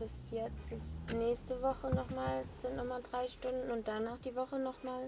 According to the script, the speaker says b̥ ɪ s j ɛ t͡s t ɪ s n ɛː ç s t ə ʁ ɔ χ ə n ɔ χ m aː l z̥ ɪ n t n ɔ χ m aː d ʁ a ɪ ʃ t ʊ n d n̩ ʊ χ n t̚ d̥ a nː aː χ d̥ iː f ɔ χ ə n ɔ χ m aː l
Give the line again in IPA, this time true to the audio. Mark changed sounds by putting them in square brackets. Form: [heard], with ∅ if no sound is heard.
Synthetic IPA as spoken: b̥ ɪ s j ɛ t͡s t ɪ s n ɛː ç s t ə [v] ɔ χ ə n ɔ χ m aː l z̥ ɪ n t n ɔ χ m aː d ʁ a ɪ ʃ t ʊ n d n̩ ʊ [∅] n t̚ d̥ a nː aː χ d̥ iː [v] ɔ χ ə n ɔ χ m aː l